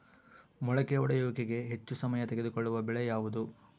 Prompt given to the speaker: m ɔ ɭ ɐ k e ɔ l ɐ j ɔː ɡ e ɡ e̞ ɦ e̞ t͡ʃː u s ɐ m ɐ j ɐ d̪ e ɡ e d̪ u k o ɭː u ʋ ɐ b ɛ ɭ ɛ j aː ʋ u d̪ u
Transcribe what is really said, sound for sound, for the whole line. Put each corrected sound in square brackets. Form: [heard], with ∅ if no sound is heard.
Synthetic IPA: m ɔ ɭ ɐ k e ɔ [ɽ] ɐ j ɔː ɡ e ɡ e̞ ɦ e̞ t͡ʃː u s ɐ m ɐ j ɐ [t̪] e ɡ e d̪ u k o ɭː u ʋ ɐ b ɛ ɭ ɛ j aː ʋ u d̪ u